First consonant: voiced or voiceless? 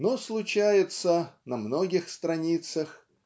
voiced